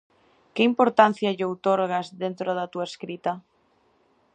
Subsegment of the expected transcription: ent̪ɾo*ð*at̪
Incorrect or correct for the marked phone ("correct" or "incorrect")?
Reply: correct